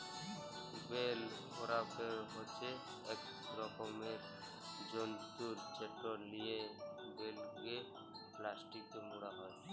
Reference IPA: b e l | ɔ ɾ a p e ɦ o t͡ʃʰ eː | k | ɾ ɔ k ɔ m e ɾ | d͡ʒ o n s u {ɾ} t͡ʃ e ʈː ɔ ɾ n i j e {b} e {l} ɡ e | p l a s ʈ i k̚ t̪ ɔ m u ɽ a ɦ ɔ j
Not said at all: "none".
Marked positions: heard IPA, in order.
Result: ɾ, b, l

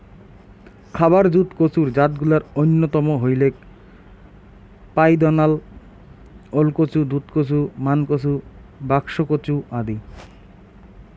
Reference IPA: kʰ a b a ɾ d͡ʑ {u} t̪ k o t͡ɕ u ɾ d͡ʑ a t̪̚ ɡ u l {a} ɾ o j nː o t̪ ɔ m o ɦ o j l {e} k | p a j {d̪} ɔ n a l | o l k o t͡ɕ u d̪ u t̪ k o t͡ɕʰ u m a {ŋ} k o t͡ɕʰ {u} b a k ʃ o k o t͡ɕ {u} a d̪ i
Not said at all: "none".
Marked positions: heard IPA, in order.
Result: u, a, e, d̪, n, u, u

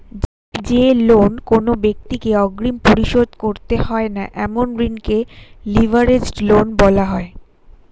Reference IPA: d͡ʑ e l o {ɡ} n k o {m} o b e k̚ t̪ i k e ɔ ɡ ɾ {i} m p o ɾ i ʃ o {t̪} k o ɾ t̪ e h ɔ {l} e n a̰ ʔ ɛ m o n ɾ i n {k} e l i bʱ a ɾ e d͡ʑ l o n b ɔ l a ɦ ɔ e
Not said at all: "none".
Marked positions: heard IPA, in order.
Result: none, n, i, d̪, none, k

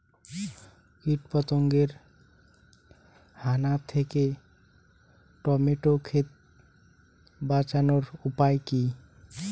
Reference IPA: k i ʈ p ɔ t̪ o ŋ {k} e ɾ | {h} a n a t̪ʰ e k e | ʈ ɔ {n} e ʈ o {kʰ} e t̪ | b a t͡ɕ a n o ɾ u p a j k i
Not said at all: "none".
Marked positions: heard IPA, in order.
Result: ɡ, h, m, kʰ

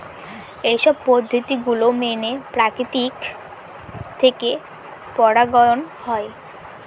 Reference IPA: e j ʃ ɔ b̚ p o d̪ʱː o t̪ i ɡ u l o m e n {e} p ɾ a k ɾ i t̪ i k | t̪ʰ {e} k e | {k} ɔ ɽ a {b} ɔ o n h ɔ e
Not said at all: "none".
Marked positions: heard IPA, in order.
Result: e, e, p, ɡ

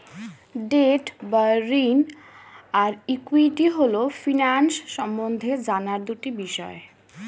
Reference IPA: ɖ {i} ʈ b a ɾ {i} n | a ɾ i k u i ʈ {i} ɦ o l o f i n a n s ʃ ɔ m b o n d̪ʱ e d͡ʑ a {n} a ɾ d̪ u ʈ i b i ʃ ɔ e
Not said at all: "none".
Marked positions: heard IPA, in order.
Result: e, i, i, n

